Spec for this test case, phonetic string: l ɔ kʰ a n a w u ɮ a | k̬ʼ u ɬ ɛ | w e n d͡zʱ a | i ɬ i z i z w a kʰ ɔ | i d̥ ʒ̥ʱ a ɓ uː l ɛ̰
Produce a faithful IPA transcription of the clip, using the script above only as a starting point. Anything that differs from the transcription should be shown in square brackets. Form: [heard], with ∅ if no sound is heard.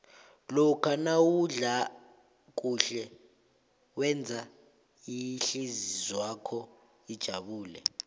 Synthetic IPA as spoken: l ɔ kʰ a n a w u ɮ a | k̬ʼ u ɬ ɛ | w [ɛ] n d͡zʱ a | i ɬ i z i z w a kʰ ɔ | i d̥ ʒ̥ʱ a ɓ uː l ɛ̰